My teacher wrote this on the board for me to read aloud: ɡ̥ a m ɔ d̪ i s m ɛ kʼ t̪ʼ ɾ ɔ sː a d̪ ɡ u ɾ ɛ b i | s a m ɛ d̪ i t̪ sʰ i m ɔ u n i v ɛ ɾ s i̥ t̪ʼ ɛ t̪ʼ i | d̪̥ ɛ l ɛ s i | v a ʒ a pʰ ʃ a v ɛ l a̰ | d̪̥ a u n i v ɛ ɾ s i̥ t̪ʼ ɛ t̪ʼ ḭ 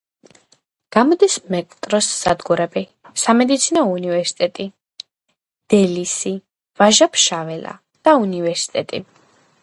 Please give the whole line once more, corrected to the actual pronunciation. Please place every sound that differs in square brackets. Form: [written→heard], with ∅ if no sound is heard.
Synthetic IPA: ɡ̥ a m ɔ d̪ i s m ɛ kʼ t̪ʼ ɾ ɔ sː a d̪ ɡ u ɾ ɛ b i | s a m ɛ d̪ i t̪ sʰ i [m→n] ɔ u n i v ɛ ɾ s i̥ t̪ʼ ɛ t̪ʼ i | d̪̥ ɛ l [ɛ→i] s i | v a ʒ a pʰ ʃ a v ɛ l a̰ | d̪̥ a u n i v ɛ ɾ s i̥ t̪ʼ ɛ t̪ʼ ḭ